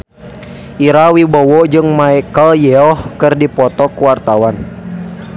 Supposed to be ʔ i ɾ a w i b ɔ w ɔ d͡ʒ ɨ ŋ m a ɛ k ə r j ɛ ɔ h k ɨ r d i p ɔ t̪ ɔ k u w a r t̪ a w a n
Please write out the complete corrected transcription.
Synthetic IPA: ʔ i ɾ a w i b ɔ w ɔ d͡ʒ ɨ ŋ m a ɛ k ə l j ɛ ɔ h k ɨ r d i p ɔ t̪ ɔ k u w a r t̪ a w a n